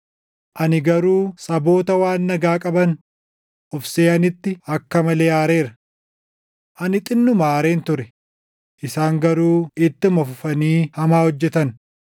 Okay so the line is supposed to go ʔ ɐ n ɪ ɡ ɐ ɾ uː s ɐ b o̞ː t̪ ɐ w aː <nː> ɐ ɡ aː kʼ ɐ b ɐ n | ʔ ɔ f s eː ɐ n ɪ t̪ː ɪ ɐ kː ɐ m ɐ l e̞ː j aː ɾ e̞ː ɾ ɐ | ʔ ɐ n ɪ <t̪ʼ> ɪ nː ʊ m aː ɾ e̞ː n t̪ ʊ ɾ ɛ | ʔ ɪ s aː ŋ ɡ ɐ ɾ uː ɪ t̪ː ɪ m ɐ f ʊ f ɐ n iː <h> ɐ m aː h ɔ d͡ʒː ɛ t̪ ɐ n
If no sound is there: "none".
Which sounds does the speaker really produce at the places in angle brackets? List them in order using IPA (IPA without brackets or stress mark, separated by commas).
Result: nː, t̪ʼ, h